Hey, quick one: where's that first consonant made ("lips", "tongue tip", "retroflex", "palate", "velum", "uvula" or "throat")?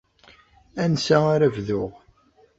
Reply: tongue tip